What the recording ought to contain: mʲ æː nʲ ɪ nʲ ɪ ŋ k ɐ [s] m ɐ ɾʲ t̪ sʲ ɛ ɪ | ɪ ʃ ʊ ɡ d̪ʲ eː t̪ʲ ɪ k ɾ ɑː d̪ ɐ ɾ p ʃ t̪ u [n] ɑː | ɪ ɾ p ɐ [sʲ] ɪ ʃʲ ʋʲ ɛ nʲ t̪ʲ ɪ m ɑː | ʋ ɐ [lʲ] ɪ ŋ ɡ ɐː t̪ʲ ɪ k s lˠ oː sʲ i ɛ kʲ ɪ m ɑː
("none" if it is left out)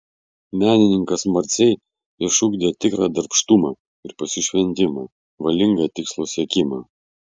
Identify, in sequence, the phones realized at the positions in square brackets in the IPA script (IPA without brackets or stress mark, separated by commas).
s, m, sʲ, lʲ